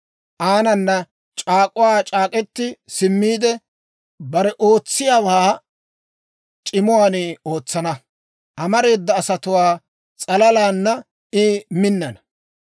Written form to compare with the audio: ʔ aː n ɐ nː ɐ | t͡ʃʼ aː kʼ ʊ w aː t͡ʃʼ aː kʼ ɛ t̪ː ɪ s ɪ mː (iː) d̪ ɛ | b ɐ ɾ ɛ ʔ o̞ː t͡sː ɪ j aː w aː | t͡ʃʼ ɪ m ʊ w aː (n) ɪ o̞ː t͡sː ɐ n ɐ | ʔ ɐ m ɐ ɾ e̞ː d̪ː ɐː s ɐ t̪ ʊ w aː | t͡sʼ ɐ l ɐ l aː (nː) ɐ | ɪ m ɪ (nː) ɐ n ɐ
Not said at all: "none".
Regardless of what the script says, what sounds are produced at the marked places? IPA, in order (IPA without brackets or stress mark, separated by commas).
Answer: iː, n, nː, nː